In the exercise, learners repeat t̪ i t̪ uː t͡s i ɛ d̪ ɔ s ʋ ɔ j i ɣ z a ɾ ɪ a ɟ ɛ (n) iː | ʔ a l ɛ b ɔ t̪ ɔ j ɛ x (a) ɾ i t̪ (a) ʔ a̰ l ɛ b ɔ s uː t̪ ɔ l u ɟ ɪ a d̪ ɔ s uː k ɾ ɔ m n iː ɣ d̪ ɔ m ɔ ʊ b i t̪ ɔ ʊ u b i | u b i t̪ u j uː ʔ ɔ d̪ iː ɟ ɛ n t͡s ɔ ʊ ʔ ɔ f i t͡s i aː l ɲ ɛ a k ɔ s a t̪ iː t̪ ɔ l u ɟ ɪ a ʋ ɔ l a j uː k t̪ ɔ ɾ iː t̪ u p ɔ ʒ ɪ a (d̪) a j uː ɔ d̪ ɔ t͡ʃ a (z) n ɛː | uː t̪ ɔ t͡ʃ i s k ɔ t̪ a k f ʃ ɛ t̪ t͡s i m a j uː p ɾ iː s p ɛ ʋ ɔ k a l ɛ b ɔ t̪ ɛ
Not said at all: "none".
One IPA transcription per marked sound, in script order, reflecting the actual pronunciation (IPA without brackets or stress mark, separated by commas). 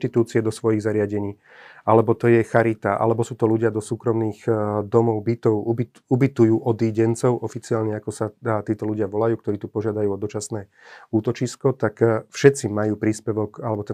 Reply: ɲ, a, a, d̪, s